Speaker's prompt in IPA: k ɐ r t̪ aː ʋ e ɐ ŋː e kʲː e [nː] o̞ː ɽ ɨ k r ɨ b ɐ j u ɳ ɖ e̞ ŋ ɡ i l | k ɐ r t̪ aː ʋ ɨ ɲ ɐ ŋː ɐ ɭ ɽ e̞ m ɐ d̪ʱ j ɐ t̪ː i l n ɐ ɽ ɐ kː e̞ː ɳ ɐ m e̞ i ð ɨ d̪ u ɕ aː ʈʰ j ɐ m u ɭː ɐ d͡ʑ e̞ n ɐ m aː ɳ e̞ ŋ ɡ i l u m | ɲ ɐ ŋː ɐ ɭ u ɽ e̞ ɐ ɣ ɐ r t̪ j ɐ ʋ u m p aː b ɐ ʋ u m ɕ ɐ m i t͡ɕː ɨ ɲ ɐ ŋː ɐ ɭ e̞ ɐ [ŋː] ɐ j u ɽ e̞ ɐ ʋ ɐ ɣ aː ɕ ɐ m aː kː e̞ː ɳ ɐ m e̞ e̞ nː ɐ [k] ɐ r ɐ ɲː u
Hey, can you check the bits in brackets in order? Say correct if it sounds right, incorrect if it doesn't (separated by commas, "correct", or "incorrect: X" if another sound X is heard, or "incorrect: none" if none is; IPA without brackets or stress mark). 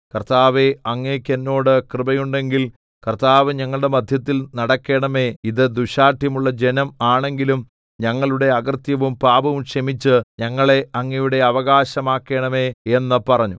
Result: correct, correct, incorrect: p